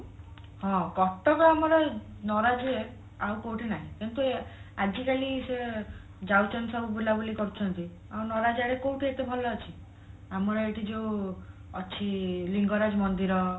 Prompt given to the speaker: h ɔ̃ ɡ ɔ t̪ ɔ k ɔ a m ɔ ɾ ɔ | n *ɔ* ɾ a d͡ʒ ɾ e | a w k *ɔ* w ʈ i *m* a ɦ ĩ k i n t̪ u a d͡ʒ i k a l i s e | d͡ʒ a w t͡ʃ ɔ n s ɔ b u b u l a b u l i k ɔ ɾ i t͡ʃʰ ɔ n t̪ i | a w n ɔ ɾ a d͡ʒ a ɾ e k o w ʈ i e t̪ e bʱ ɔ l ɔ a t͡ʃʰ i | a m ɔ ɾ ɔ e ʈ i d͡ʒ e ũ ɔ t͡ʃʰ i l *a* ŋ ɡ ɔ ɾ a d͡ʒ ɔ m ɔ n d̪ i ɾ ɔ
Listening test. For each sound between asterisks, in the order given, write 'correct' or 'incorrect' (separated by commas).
correct, incorrect, incorrect, incorrect